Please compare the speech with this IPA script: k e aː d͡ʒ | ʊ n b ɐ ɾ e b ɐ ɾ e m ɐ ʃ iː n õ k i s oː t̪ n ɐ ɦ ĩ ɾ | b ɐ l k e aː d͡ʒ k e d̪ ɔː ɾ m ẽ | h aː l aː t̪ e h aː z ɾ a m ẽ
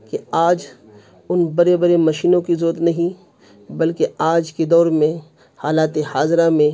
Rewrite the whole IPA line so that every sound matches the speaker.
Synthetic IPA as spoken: k e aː d͡ʒ | ʊ n b ɐ ɾ e b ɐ ɾ e m ɐ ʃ iː n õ k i z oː t̪ n ɐ ɦ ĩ | b ɐ l k e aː d͡ʒ k e d̪ ɔː ɾ m ẽ | h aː l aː t̪ e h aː z ɾ a m ẽ

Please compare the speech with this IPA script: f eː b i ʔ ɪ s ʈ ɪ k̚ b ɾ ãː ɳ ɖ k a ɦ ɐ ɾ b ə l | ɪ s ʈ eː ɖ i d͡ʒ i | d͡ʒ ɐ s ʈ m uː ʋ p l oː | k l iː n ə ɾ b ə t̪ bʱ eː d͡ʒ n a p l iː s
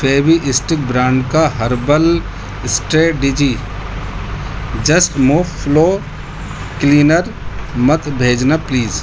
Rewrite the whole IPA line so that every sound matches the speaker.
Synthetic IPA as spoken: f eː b i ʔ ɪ s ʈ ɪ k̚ b ɾ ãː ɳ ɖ k a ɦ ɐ ɾ b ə l | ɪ s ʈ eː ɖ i d͡ʒ i | d͡ʒ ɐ s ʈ m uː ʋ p l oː | k l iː n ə ɾ m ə t̪ bʱ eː d͡ʒ n a p l iː z

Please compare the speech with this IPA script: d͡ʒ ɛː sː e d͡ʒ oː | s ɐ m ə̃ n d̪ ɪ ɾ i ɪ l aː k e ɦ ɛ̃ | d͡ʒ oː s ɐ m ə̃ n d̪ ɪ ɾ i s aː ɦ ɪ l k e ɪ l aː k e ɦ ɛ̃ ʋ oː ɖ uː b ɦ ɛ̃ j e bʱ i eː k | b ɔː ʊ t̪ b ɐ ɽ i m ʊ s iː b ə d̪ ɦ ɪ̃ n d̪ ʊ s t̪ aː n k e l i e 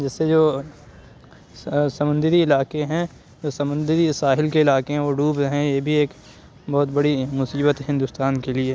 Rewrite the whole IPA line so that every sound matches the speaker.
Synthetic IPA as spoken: d͡ʒ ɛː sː e d͡ʒ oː | s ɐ m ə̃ n d̪ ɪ ɾ i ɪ l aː k e ɦ ɛ̃ | d͡ʒ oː s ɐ m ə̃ n d̪ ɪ ɾ i s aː ɦ ɪ l k e ɪ l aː k e ɦ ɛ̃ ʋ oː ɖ uː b ɦ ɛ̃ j e bʱ i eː k | b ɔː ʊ t̪ b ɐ ɽ i m ʊ s iː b ə t̪ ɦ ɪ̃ n d̪ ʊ s t̪ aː n k e l i e

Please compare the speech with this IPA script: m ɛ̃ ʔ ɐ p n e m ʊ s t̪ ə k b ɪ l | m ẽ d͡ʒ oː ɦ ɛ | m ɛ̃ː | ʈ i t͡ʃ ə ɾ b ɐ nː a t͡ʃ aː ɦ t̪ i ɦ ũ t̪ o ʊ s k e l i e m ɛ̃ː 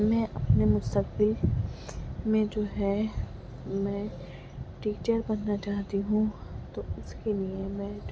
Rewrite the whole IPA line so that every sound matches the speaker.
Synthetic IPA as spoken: m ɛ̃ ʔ ɐ p n e m ʊ s t̪ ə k b ɪ l | m ẽ d͡ʒ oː ɦ ɛ | m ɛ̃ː | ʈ iː t͡ʃ ə ɾ b ɐ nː a t͡ʃ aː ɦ t̪ i ɦ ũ t̪ o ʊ s k e l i e m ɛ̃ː

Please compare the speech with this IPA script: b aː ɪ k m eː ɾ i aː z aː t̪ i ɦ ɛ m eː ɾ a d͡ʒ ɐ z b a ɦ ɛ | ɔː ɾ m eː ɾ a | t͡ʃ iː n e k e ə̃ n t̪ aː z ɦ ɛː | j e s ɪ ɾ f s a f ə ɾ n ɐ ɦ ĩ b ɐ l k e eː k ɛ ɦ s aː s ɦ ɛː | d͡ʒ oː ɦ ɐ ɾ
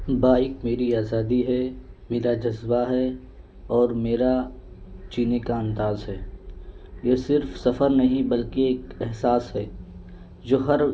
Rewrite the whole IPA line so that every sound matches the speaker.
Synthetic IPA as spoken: b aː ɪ k m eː ɾ i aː z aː d̪ i ɦ ɛ m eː ɾ a d͡ʒ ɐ z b a ɦ ɛ | ɔː ɾ m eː ɾ a | t͡ʃ iː n e k a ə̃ n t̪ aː z ɦ ɛː | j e s ɪ ɾ f s ɐ f ə ɾ n ɐ ɦ ĩ b ɐ l k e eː k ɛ ɦ s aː s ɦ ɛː | d͡ʒ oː ɦ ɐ ɾ

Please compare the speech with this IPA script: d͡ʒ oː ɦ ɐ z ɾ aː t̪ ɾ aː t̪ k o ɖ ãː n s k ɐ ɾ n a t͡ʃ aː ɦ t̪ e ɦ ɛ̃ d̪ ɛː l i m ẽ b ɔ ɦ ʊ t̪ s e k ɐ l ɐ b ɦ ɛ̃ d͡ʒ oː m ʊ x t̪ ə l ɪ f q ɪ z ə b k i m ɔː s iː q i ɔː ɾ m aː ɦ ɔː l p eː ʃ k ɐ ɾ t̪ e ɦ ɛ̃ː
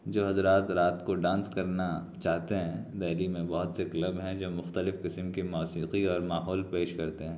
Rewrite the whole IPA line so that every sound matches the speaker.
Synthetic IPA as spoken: d͡ʒ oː ɦ ɐ z ɾ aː t̪ ɾ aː t̪ k o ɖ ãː n s k ɐ ɾ n a t͡ʃ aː ɦ t̪ e ɦ ɛ̃ d̪ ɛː l i m ẽ b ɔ ɦ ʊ t̪ s e k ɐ l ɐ b ɦ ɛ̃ d͡ʒ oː m ʊ x t̪ ə l ɪ f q ɪ s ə m k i m ɔː s iː q i ɔː ɾ m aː ɦ ɔː l p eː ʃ k ɐ ɾ t̪ e ɦ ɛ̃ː

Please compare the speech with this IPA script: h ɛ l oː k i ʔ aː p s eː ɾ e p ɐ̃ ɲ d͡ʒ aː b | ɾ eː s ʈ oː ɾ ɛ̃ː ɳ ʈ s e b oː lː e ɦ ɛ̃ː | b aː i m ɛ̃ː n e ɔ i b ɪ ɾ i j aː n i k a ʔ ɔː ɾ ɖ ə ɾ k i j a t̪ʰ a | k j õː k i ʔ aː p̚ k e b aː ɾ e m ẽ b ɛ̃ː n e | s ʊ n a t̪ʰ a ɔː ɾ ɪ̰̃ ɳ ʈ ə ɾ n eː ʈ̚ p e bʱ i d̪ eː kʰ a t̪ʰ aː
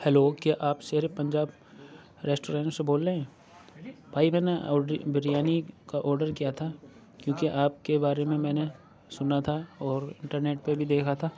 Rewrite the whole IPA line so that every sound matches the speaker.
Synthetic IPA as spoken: h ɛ l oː k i ʔ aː p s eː ɾ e p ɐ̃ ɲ d͡ʒ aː b | ɾ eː s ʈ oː ɾ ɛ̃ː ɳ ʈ s e b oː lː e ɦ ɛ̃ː | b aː i m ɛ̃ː n e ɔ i b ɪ ɾ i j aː n i k a ʔ ɔː ɾ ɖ ə ɾ k i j a t̪ʰ a | k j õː k i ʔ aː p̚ k e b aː ɾ e m ẽ m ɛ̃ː n e | s ʊ n a t̪ʰ a ɔː ɾ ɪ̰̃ ɳ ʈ ə ɾ n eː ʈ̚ p e bʱ i d̪ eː kʰ a t̪ʰ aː

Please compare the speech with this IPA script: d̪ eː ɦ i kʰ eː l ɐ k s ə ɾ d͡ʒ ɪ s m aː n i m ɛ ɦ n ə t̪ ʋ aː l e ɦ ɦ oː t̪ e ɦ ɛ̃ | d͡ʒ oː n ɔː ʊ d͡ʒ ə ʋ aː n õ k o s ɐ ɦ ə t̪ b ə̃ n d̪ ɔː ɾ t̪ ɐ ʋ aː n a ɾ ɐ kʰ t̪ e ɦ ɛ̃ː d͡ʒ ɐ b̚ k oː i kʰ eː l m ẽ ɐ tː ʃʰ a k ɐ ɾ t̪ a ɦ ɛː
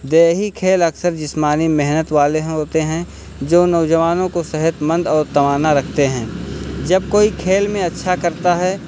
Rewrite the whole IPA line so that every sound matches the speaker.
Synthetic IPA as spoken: d̪ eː ɦ i kʰ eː l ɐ k s ə ɾ d͡ʒ ɪ s m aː n i m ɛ ɦ n ə t̪ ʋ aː l e ɦ ɦ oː t̪ e ɦ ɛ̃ | d͡ʒ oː n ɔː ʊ d͡ʒ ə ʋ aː n õ k o s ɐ ɦ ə t̪ m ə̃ n d̪ ɔː ɾ t̪ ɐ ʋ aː n a ɾ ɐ kʰ t̪ e ɦ ɛ̃ː d͡ʒ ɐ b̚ k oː i kʰ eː l m ẽ ɐ tː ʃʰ a k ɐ ɾ t̪ a ɦ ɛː

